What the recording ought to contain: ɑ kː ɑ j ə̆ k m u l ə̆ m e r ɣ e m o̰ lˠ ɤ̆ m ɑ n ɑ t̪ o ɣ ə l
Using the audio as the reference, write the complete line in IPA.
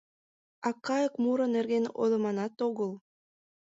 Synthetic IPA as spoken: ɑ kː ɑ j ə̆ k m u ɾ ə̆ n e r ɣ e n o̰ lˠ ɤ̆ m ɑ n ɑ t̪ o ɣ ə l